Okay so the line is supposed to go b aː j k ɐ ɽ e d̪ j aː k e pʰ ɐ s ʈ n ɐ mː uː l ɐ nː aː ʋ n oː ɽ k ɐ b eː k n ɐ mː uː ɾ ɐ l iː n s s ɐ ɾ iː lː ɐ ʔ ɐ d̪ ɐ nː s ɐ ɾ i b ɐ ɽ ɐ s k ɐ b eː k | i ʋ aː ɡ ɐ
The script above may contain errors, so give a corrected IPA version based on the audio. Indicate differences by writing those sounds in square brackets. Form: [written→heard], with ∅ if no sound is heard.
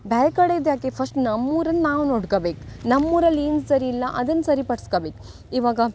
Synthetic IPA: b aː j k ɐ ɽ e d̪ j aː k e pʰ ɐ s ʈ n ɐ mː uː [l→ɾ] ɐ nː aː ʋ n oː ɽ k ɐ b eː k n ɐ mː uː ɾ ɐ l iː n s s ɐ ɾ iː lː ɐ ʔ ɐ d̪ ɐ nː s ɐ ɾ i [b→p] ɐ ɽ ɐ s k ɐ b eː k | i ʋ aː ɡ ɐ